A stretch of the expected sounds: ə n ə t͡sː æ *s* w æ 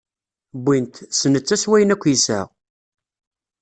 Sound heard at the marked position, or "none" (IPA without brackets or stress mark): s